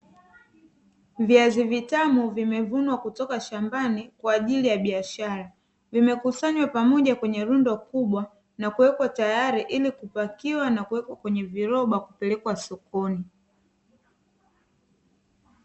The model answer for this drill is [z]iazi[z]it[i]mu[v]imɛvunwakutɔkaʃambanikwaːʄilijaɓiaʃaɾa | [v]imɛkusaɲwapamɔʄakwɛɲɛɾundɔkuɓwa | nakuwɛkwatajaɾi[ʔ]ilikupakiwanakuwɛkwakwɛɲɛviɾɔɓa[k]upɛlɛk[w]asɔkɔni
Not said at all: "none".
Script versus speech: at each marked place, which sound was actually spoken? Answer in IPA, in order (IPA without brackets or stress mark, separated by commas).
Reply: v, v, a, v, v, ʔ, k, w